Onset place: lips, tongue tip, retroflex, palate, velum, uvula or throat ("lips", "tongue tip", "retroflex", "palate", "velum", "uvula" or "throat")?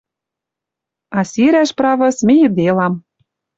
tongue tip